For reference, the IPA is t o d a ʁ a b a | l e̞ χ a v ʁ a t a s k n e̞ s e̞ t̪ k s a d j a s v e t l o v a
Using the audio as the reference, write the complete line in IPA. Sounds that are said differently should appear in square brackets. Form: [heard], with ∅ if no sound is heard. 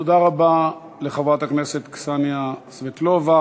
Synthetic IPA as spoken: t o d a ʁ a b a | l e̞ χ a v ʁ a t a [∅] k n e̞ s e̞ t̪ k s a [n] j a s v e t l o v a